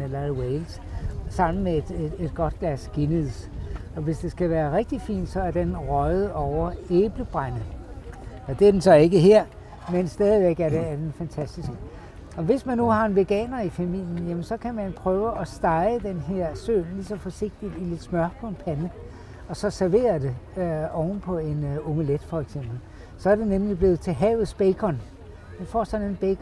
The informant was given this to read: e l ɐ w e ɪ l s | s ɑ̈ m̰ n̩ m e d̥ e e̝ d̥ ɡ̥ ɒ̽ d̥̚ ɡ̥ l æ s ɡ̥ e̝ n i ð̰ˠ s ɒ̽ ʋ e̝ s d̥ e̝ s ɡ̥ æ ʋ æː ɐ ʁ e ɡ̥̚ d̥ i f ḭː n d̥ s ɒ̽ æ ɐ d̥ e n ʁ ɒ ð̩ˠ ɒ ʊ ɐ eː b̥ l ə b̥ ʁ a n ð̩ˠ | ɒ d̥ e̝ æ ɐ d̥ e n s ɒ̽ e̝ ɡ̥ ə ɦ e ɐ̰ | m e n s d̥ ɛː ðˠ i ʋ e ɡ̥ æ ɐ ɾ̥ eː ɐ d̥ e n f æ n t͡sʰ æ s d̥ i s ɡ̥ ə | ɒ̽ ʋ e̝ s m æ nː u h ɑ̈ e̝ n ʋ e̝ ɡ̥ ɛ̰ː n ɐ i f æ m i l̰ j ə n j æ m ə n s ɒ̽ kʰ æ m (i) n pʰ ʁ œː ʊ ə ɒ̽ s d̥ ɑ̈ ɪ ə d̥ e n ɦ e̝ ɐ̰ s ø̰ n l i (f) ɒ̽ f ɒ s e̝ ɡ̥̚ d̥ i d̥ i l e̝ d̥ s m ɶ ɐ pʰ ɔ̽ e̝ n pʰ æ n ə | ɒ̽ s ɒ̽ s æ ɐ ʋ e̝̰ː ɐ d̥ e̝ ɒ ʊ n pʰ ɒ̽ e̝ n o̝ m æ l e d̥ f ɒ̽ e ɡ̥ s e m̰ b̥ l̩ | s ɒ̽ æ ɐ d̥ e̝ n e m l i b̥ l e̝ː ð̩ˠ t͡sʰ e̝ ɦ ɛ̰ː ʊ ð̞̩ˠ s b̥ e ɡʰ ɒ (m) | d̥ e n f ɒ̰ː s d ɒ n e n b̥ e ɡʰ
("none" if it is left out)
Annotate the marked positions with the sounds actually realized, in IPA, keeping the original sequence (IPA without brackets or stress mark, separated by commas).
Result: æ, s, n